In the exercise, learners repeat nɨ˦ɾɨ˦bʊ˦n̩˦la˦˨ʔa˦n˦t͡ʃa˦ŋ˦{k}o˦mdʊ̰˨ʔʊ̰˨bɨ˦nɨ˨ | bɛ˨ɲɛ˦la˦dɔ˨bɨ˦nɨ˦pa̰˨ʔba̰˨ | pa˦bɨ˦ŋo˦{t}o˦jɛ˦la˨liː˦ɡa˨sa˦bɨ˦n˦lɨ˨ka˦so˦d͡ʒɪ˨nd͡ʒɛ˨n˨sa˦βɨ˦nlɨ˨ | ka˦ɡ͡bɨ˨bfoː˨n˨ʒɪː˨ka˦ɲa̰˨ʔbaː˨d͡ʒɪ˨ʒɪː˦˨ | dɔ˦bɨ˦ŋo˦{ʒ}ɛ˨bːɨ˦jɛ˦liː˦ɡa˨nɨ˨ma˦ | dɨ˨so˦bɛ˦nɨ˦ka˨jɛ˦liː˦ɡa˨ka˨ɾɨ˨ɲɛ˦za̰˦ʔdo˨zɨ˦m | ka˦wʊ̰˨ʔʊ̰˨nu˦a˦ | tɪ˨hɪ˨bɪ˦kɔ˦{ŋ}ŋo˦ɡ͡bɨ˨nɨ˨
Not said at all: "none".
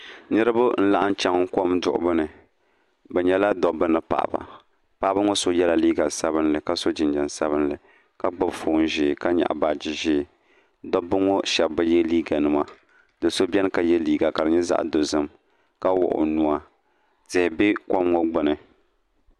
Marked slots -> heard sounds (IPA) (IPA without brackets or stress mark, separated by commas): k, s, ʃ, m